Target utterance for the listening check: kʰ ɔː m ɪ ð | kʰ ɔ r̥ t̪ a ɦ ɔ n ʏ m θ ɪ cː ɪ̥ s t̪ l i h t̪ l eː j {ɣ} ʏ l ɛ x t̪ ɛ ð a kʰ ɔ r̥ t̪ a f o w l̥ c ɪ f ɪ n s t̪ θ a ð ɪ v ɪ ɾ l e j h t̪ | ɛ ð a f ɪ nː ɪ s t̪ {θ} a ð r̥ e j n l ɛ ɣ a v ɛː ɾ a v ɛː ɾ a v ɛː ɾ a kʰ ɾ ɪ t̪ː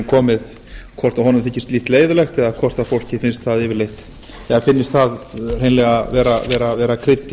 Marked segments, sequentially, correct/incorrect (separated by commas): incorrect, correct